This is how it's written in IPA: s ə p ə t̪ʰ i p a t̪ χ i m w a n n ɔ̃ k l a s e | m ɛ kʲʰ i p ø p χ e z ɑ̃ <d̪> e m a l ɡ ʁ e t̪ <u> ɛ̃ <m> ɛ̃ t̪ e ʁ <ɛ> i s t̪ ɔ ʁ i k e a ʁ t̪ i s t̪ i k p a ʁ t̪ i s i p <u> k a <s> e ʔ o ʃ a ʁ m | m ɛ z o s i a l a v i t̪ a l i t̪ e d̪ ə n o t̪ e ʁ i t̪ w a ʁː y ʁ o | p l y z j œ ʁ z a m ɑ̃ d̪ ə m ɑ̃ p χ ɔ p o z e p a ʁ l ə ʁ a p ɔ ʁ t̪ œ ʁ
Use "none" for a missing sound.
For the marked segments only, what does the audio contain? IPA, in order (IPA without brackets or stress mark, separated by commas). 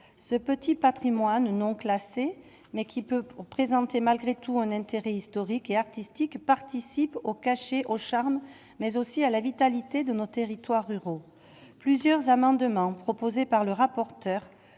t̪, u, n, ɛ, o, ʃ